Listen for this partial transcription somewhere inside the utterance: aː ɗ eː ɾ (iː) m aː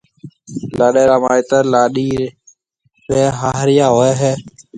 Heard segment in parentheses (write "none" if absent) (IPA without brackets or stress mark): aː